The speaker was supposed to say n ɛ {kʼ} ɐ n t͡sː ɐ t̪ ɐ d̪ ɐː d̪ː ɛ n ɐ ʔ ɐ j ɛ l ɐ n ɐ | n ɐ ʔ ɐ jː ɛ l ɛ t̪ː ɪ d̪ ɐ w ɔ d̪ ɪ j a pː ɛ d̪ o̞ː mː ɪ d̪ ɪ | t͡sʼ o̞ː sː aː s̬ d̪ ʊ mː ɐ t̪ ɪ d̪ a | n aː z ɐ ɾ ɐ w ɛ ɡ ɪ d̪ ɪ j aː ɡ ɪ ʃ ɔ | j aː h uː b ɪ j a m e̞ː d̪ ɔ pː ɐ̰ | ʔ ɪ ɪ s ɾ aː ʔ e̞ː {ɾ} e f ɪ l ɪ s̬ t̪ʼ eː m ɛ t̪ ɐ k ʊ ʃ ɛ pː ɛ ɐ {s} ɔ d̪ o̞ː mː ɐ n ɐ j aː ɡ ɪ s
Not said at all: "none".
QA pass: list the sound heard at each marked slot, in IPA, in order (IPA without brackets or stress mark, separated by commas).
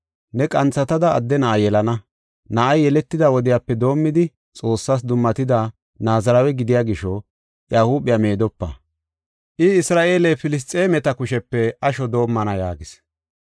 kʼ, l, ʃ